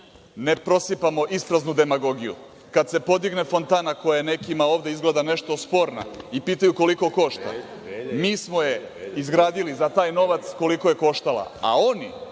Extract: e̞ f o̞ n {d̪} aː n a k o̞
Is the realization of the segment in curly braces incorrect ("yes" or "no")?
yes